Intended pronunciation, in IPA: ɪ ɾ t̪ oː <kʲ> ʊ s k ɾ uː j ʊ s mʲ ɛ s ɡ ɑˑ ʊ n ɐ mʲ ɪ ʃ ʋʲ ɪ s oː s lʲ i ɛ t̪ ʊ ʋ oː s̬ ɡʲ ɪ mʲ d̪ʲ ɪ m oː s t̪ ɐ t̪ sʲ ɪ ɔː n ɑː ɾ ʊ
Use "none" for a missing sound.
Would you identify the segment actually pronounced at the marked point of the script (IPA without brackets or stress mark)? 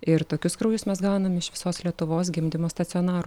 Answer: kʲ